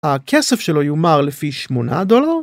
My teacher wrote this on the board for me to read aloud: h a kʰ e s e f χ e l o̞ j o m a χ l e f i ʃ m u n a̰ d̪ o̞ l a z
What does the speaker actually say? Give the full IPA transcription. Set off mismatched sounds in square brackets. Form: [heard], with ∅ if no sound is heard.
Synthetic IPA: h a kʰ e s e f [ʃ] e l o̞ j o m a [ʁ] l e f i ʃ m [o] n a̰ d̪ o̞ l a [ʁ]